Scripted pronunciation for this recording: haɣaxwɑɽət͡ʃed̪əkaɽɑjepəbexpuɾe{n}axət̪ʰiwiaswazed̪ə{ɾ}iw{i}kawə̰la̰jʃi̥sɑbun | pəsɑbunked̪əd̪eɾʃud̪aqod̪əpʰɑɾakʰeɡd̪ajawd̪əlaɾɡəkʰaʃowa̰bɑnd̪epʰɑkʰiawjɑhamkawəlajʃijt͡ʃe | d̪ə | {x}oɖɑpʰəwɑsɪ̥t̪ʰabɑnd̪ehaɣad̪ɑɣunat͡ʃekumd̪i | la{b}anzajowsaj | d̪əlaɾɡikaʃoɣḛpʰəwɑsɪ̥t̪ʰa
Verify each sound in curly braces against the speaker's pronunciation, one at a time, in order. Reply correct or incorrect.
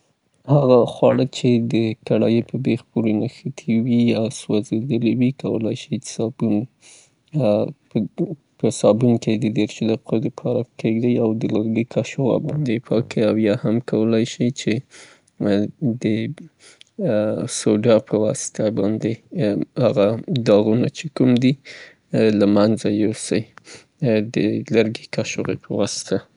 correct, incorrect, correct, incorrect, incorrect

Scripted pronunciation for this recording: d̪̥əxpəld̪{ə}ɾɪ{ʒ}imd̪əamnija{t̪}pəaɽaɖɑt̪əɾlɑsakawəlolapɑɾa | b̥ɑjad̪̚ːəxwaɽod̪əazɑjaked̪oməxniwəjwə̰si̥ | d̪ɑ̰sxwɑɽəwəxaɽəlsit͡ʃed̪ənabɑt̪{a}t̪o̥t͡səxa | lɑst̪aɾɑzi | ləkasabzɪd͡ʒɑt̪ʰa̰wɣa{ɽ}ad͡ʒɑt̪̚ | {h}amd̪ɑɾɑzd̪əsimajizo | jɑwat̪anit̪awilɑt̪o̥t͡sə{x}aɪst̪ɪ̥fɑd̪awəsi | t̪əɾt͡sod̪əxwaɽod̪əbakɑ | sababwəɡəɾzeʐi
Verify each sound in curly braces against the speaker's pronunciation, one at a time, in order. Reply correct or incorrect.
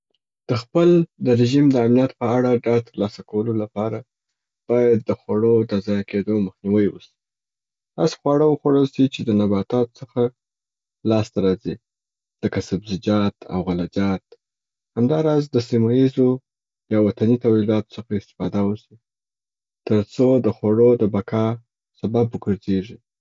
correct, correct, correct, incorrect, incorrect, correct, correct

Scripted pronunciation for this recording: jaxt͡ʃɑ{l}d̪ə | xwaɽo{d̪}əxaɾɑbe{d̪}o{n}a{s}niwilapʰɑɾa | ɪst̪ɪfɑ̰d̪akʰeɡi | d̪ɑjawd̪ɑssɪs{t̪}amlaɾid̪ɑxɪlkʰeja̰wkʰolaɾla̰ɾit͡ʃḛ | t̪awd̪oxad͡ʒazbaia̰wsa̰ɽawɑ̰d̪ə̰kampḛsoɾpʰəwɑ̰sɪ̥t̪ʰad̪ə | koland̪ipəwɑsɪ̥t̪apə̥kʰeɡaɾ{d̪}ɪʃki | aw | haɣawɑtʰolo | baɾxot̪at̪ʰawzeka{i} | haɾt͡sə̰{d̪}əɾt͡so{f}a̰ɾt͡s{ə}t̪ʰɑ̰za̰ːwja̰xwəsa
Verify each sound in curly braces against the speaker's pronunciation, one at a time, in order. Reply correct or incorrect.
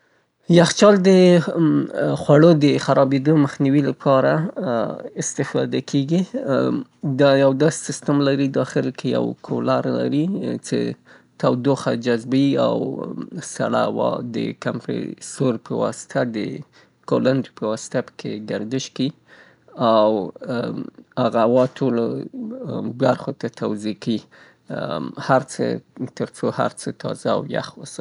correct, correct, correct, incorrect, incorrect, correct, correct, correct, incorrect, incorrect, correct

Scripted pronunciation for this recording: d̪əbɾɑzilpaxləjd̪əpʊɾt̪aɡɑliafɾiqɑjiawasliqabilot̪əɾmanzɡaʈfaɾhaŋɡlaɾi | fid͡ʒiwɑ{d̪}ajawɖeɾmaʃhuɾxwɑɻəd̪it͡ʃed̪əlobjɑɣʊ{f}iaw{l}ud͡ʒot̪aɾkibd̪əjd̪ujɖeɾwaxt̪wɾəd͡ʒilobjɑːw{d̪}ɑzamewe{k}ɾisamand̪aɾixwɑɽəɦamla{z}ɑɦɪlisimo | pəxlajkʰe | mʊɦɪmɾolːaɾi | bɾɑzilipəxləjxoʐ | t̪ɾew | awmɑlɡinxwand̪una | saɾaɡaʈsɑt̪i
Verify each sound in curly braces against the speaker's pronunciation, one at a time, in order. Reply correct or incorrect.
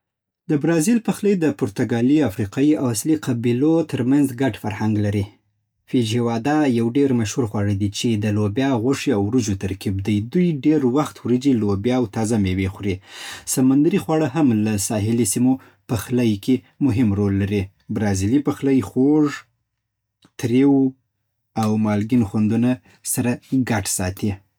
correct, incorrect, incorrect, incorrect, incorrect, incorrect

